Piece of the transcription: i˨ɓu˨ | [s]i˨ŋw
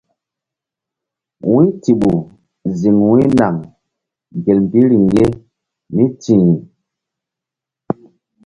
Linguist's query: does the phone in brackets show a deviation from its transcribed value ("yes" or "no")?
yes